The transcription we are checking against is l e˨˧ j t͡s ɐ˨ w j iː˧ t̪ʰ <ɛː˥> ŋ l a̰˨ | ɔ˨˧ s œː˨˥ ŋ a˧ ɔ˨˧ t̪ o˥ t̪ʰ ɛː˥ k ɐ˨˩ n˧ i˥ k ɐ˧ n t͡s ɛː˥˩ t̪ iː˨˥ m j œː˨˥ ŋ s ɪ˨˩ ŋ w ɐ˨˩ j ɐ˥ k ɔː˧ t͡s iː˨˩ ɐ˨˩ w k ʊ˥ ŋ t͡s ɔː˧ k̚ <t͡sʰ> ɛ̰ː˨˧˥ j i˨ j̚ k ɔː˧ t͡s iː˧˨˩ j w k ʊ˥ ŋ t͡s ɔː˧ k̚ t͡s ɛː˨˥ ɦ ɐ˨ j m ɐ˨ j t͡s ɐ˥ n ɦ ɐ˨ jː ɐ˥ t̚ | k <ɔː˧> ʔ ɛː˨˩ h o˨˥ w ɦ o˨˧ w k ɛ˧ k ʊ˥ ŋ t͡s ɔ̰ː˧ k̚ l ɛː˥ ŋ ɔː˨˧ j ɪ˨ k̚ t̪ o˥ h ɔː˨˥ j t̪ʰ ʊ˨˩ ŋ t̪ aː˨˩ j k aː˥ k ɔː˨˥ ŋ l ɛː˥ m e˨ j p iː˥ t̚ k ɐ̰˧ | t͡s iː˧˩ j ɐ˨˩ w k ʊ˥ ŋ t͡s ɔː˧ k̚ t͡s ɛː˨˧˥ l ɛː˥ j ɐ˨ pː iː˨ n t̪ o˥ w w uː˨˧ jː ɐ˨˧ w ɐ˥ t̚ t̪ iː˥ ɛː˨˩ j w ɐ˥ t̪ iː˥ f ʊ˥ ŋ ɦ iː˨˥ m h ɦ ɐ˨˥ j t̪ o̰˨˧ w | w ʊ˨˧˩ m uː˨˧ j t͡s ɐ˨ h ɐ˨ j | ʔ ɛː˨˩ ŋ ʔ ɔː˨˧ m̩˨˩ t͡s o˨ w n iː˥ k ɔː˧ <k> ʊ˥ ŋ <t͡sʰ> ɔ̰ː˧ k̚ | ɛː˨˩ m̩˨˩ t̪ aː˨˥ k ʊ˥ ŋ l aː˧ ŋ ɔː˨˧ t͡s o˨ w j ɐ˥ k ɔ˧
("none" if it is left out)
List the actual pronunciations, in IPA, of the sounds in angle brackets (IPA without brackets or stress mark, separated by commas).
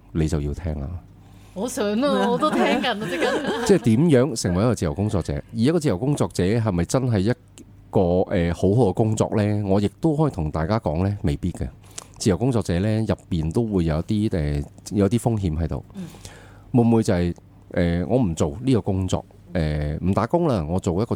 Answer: ɛː˥, t͡s, ɔː˧, k, t͡s